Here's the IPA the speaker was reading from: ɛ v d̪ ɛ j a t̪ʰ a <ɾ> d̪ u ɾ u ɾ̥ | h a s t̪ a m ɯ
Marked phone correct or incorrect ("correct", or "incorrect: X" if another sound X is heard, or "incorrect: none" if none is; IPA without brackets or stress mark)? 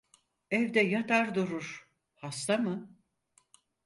correct